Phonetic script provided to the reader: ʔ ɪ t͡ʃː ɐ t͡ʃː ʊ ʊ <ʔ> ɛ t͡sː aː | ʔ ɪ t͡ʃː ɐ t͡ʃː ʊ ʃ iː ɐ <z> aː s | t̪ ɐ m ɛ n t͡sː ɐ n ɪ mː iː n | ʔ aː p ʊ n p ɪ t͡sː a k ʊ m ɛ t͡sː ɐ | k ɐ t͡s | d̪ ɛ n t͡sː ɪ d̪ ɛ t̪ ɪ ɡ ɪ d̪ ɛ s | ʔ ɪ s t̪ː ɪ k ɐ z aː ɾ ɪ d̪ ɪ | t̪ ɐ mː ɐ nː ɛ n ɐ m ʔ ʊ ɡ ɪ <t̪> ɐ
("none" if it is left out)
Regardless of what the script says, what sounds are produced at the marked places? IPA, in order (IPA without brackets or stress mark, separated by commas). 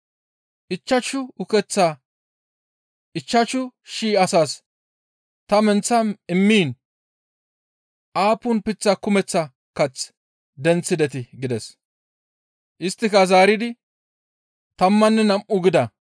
k, s, d̪